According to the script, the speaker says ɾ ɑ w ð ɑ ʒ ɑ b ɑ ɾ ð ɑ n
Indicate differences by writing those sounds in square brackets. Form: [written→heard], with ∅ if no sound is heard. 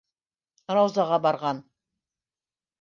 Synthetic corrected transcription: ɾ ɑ w [ð→z] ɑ [ʒ→ʁ] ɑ b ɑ ɾ [ð→ʁ] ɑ n

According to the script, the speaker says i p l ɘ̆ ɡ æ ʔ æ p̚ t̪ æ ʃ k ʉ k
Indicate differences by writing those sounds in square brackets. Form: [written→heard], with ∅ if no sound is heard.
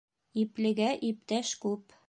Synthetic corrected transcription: i p l ɘ̆ ɡ æ ʔ [æ→i] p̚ t̪ æ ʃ k ʉ [k→p]

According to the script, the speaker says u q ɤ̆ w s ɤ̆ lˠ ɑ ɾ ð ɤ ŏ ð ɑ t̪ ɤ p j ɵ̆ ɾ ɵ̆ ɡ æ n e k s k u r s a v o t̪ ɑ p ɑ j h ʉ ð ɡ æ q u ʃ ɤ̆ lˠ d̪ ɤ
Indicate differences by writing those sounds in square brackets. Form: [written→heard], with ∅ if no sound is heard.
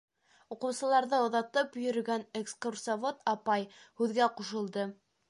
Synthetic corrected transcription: u q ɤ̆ w s ɤ̆ lˠ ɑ ɾ ð ɤ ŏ ð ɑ t̪ ɤ p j ɵ̆ ɾ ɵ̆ ɡ æ n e k s k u r s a v o t̪ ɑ p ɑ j h ʉ ð ɡ æ q u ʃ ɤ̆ lˠ d̪ ɤ

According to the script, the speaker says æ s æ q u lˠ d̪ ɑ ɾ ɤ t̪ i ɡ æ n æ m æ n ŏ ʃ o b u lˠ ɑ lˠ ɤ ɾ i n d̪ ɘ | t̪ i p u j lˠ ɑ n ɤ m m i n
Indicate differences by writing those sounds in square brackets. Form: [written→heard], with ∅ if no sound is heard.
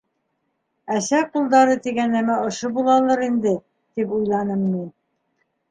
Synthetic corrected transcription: æ s æ q u lˠ d̪ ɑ ɾ ɤ t̪ i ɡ æ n æ m æ [n→∅] ŏ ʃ o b u lˠ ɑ lˠ ɤ ɾ i n d̪ ɘ | t̪ i p u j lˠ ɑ n ɤ m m i n

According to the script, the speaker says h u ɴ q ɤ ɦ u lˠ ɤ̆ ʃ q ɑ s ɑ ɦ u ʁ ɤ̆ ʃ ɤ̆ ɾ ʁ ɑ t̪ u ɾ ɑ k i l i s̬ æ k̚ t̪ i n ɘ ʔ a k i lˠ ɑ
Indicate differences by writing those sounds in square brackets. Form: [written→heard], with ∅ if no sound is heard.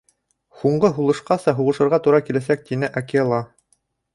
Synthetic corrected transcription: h u ɴ [q→ɢ] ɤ ɦ u lˠ ɤ̆ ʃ q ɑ s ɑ ɦ u ʁ ɤ̆ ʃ ɤ̆ ɾ ʁ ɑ t̪ u ɾ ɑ k i l [i→æ] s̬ æ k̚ t̪ i n ɘ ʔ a k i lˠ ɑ

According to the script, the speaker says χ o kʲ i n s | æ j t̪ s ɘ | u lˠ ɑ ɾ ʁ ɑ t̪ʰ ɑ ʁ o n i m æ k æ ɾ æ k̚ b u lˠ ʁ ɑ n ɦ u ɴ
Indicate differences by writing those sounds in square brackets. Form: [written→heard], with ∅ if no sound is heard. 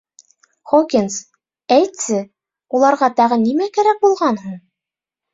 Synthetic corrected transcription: χ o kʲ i n s | æ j t̪ s ɘ | u lˠ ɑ ɾ ʁ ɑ [t̪ʰ→t̪] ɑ ʁ [o→ɤ] n i m æ k æ ɾ æ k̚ b u lˠ ʁ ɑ n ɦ u ɴ

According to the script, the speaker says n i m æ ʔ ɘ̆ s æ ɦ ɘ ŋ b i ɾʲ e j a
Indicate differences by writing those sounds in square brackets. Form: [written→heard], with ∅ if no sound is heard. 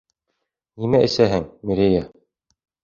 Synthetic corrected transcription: n i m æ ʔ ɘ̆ s æ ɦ ɘ ŋ [b→m] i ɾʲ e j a

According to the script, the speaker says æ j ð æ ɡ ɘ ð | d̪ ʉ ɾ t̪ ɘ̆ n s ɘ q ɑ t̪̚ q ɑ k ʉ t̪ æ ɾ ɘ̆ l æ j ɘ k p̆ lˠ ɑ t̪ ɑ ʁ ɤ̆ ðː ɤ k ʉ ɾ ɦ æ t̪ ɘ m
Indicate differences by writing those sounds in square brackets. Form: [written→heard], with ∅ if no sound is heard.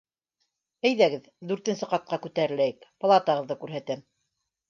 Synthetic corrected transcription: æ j ð æ ɡ ɘ ð | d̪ ʉ ɾ t̪ ɘ̆ n s ɘ q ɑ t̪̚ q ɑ k ʉ t̪ æ ɾ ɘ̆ l æ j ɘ k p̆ lˠ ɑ t̪ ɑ ʁ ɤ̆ ðː ɤ k ʉ ɾ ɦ æ t̪ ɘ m

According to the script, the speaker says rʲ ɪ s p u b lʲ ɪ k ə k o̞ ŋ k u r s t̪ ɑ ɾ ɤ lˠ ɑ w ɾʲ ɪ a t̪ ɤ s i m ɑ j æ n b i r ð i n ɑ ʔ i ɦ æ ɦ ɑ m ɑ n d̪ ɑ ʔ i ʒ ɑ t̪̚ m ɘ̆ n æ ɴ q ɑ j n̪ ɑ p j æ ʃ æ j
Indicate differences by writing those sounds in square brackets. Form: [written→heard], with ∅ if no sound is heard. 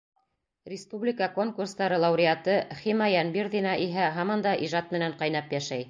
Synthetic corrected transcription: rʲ ɪ s p u b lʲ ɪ k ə k o̞ ŋ k u r s t̪ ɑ ɾ ɤ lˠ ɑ w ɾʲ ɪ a t̪ ɤ [s→χ] i m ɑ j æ n b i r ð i n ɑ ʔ i ɦ æ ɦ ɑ m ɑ n d̪ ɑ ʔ i ʒ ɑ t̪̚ m ɘ̆ n æ ɴ q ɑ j n̪ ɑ p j æ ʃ æ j

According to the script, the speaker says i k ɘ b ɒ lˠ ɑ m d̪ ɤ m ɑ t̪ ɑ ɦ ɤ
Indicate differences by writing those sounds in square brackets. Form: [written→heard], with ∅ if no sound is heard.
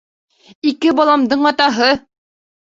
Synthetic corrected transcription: i k ɘ b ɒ lˠ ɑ m d̪ ɤ [m→ɴ] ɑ t̪ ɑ ɦ ɤ

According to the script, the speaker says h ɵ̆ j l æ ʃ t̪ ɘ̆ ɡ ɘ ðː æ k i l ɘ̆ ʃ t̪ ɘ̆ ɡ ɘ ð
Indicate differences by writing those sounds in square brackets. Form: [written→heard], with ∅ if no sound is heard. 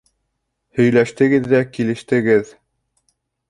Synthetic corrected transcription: h ɵ̆ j l æ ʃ t̪ ɘ̆ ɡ ɘ ðː æ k i l ɘ̆ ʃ t̪ ɘ̆ ɡ ɘ ð

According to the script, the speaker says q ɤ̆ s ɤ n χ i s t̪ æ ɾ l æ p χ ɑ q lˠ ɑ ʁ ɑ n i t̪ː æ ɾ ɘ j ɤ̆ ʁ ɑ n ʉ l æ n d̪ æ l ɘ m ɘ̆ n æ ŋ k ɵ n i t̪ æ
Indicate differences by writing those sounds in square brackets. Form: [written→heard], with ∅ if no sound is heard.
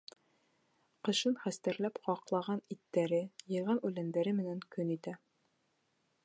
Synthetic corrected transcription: q ɤ̆ [s→ʃ] ɤ n χ [i→æ] s t̪ æ ɾ l æ p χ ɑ q lˠ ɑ ʁ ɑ n i t̪ː æ ɾ ɘ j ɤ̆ ʁ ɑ n ʉ l æ n d̪ æ [l→ɾ] ɘ m ɘ̆ n æ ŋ k ɵ n i t̪ æ

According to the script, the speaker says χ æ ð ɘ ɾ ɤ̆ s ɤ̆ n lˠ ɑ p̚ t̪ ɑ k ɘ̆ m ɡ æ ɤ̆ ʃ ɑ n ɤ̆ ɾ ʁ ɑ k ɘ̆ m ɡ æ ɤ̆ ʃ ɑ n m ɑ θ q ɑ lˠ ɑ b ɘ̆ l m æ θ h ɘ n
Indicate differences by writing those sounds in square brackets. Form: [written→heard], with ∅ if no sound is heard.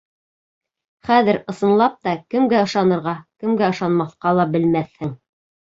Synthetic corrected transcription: χ æ ð ɘ ɾ ɤ̆ s ɤ̆ n lˠ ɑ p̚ t̪ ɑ k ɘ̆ m ɡ æ ɤ̆ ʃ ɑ n ɤ̆ ɾ ʁ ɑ k ɘ̆ m ɡ æ ɤ̆ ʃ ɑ n m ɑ θ q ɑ lˠ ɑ b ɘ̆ l m æ θ h ɘ [n→ŋ]

